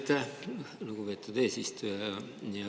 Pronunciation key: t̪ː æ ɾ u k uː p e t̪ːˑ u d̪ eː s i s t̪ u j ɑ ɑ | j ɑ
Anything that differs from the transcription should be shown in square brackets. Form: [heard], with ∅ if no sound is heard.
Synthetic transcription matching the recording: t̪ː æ [l] u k [u] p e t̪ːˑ u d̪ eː s i s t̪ u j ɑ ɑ | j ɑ